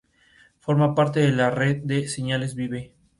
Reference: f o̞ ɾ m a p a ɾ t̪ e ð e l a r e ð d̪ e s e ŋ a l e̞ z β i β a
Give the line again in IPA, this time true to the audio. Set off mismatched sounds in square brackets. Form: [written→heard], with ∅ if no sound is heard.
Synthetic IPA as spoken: f o̞ ɾ m a p a ɾ t̪ e ð e l a r e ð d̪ e s e [ŋ→ɲ] a l e̞ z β i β [a→e]